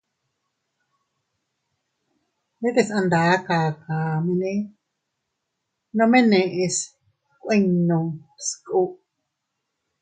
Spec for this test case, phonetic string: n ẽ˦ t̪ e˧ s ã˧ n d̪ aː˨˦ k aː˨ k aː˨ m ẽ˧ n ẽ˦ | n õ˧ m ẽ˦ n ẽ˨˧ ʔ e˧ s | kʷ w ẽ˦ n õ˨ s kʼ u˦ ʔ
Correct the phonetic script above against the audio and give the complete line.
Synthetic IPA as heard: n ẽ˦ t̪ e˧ s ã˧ n d̪ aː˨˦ k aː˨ k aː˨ m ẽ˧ n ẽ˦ | n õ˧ m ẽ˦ n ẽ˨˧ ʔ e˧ s | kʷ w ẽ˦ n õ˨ s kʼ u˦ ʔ